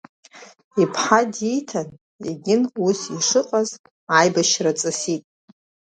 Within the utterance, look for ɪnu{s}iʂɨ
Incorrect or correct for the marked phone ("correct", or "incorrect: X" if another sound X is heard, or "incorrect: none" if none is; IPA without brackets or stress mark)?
correct